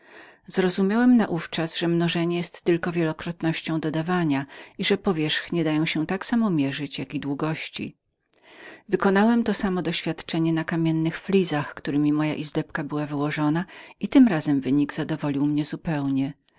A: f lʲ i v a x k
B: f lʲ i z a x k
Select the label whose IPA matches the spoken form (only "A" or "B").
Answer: B